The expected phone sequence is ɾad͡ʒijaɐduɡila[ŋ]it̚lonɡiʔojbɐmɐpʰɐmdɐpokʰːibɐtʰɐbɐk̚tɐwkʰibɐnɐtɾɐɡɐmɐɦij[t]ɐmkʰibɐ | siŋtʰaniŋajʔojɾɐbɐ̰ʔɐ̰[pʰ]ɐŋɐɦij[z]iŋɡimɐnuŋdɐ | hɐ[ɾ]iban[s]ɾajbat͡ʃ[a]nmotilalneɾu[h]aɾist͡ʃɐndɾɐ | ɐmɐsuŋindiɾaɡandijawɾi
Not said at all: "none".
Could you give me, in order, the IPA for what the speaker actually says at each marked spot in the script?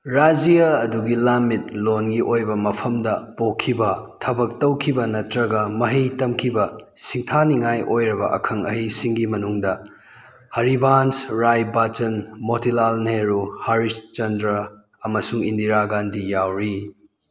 m, t, kʰ, s, ɾ, s, ɐ, h

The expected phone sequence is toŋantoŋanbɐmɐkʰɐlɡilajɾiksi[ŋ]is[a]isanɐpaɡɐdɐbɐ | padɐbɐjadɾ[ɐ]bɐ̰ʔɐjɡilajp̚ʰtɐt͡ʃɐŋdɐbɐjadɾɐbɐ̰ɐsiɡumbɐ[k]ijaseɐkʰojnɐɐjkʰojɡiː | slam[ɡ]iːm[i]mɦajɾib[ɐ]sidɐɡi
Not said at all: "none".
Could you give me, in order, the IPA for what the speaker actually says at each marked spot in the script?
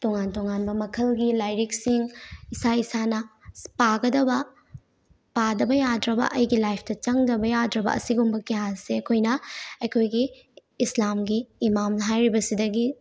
ŋ, a, ɐ, k, ɡ, a, ɐ

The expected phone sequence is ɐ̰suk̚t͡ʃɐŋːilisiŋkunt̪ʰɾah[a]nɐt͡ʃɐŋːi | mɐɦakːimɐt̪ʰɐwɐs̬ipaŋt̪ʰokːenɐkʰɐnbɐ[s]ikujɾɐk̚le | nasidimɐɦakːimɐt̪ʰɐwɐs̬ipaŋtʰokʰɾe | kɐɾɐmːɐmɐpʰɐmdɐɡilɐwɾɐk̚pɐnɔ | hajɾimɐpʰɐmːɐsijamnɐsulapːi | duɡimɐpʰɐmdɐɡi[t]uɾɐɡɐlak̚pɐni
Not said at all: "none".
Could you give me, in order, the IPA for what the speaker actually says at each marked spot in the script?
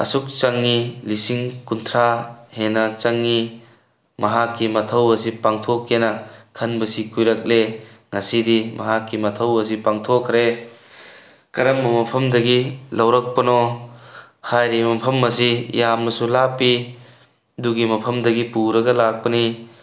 e, s, p

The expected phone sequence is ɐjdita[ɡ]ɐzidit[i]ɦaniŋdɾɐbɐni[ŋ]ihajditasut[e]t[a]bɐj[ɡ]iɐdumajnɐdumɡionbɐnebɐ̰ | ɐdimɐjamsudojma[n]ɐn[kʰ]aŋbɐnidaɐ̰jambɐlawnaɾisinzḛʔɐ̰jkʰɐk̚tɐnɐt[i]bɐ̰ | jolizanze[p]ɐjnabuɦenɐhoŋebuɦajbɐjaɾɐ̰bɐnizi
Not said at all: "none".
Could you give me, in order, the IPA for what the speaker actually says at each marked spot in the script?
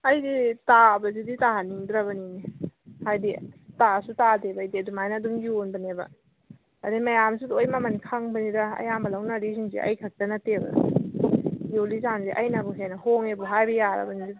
b, a, n, a, e, d, m, kʰ, e, ʔ

